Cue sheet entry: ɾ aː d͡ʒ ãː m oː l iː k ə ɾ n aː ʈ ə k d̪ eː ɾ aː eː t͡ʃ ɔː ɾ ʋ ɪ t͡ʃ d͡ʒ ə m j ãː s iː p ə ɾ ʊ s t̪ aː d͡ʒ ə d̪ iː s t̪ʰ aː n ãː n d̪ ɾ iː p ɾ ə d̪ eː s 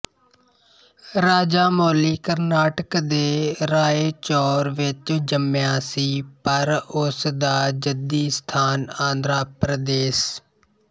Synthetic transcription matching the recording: ɾ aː d͡ʒ aː m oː l iː k ə ɾ n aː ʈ ə k d̪ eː ɾ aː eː t͡ʃ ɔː ɾ ʋ ɪ t͡ʃ d͡ʒ ə m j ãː s iː p ə ɾ ʊ s d̪ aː d͡ʒ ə d̪ iː s t̪ʰ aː n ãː n d̪ ɾ aː p ɾ ə d̪ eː s